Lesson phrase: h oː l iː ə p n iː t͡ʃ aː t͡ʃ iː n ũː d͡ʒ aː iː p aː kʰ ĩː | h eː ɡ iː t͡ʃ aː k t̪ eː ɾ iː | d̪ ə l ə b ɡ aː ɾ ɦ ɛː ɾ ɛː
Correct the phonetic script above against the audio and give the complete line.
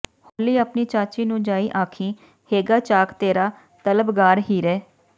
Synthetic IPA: h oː l iː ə p n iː t͡ʃ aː t͡ʃ iː n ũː d͡ʒ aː iː ʔ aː kʰ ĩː | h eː ɡ aː t͡ʃ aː k t̪ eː ɾ aː | t̪ ə l ə b ɡ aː ɾ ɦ iː ɾ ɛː